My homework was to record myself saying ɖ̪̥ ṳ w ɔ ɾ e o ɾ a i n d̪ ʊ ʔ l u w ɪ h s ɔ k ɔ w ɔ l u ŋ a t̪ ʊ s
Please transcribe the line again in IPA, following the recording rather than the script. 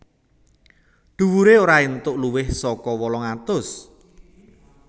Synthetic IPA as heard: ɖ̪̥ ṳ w u ɾ e o ɾ a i n t̪ ʊ ʔ l u w ɪ h s ɔ k ɔ w ɔ l ɔ ŋ a t̪ ʊ s